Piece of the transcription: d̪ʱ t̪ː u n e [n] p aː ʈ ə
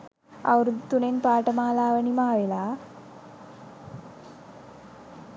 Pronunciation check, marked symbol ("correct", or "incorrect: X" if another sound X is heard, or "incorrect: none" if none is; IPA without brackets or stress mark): correct